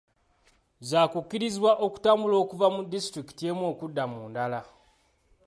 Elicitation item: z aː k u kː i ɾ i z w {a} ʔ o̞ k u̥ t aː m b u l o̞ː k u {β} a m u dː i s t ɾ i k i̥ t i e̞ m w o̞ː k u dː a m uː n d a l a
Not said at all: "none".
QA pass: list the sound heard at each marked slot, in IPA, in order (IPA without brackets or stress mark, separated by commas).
a, v